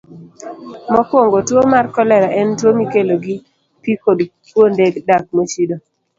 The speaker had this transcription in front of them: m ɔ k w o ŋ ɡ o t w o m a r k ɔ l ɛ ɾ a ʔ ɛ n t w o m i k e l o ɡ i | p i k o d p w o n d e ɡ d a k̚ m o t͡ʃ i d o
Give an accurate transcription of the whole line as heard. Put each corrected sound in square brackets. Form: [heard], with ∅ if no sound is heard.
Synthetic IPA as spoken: m ɔ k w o ŋ ɡ o t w o m a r k ɔ l ɛ ɾ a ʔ ɛ n t w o m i k e l o ɡ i | p i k o d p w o n d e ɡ d a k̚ m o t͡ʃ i d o